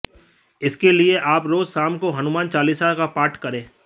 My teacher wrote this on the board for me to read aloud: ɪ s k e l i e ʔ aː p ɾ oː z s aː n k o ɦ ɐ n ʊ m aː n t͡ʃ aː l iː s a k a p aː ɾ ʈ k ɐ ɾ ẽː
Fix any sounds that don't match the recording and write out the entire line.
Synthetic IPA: ɪ s k e l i e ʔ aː p ɾ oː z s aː m k o ɦ ɐ n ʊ m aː n t͡ʃ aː l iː s a k a p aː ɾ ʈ k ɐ ɾ ẽː